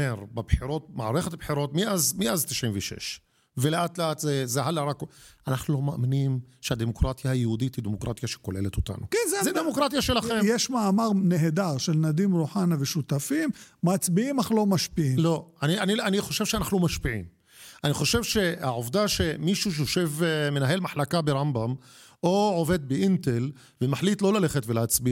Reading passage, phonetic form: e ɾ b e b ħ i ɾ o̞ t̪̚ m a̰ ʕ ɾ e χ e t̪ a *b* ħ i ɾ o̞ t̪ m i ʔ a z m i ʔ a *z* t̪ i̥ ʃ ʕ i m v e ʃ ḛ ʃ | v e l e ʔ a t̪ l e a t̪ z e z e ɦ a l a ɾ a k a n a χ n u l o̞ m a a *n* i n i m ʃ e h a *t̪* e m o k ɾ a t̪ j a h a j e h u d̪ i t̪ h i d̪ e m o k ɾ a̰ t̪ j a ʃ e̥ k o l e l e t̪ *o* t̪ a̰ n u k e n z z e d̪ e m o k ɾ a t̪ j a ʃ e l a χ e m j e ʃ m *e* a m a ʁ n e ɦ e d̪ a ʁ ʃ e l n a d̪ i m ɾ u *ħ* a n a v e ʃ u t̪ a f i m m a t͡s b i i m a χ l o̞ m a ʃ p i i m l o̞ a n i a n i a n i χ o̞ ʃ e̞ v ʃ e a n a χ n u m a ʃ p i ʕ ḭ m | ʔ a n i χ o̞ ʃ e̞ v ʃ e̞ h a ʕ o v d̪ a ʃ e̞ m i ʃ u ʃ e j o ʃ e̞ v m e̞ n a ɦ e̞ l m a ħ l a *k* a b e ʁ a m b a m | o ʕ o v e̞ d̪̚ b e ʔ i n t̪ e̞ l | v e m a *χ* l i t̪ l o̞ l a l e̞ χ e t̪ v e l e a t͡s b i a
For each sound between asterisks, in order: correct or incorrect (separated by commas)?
correct, correct, incorrect, incorrect, correct, incorrect, correct, correct, incorrect